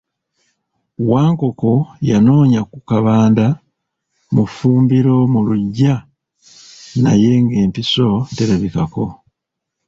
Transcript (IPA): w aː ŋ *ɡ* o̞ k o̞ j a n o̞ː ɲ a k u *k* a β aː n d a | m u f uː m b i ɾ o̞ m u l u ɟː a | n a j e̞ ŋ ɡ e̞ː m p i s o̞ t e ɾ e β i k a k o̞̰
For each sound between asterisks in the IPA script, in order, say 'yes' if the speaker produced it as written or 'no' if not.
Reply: no, yes

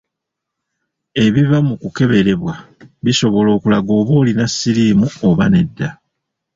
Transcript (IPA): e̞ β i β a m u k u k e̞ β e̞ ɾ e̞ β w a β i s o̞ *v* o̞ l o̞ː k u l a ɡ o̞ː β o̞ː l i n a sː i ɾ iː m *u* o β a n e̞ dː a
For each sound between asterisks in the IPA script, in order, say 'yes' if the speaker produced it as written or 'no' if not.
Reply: no, yes

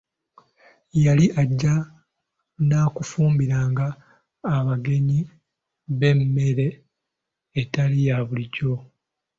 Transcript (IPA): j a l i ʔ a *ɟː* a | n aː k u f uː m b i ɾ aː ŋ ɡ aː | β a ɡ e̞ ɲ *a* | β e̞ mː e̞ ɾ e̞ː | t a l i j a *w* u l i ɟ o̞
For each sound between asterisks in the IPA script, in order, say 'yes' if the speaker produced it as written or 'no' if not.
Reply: yes, no, no

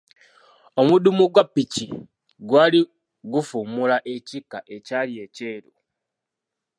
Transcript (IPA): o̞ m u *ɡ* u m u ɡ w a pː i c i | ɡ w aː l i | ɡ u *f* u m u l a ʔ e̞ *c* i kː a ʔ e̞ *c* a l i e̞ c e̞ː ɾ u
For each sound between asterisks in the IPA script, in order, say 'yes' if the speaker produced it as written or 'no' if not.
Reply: no, yes, yes, yes

